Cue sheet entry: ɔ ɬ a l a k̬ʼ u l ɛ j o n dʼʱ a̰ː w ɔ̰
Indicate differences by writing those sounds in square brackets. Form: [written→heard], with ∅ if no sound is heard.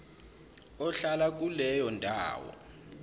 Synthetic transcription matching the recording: ɔ ɬ a l a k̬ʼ u l ɛ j [o→ɔ] n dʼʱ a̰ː w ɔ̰